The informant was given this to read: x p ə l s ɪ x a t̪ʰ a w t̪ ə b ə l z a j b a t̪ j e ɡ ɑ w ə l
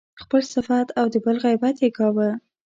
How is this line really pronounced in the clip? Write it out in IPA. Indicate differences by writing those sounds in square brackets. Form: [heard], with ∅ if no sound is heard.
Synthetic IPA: x p ə l s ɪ [f] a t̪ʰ a w [d̪] ə b ə l [ɣ] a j b a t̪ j e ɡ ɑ w ə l